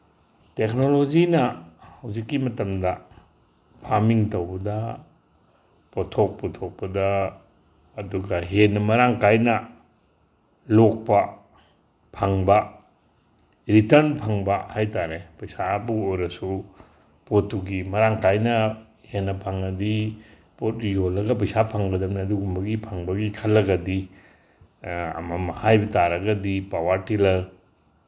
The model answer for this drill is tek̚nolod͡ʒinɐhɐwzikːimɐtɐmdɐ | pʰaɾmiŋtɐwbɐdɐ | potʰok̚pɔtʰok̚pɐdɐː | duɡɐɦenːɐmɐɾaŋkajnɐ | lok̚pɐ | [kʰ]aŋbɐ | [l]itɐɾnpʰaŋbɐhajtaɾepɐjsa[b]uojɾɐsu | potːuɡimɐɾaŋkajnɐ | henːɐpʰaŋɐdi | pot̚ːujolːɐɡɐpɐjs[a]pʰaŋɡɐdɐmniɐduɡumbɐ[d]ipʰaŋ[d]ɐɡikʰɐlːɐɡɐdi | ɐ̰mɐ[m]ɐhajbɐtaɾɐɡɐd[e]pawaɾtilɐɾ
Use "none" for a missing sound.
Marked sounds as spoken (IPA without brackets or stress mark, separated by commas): pʰ, ɾ, b, a, ɡ, b, m, i